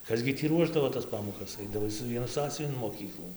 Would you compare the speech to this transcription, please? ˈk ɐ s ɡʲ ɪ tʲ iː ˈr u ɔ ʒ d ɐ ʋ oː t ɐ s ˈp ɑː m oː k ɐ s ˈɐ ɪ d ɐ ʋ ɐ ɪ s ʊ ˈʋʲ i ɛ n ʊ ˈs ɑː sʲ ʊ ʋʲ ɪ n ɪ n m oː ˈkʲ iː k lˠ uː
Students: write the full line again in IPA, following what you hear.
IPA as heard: ˈk ɐ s ɡʲ ɪ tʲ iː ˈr u ɔ ʒ d ɐ ʋ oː t ɐ s ˈp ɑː m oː k ɐ s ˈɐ ɪ d ɐ ʋ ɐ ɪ s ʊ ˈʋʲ i ɛ n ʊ ˈs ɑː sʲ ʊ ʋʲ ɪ n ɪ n m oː ˈkʲ iː k lˠ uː